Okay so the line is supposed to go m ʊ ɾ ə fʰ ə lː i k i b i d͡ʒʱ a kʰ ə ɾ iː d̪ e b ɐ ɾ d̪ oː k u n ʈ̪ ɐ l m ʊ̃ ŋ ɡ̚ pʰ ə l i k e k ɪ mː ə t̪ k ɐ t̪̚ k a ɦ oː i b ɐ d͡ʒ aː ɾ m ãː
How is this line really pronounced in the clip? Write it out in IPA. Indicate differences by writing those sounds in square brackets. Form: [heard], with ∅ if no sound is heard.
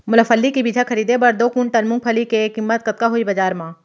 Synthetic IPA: m ʊ [l] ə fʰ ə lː i k i b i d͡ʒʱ a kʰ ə ɾ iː d̪ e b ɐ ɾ d̪ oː k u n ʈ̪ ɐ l m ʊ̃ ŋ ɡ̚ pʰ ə l i k e k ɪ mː ə t̪ k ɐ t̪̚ k a ɦ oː i b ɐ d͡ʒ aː ɾ m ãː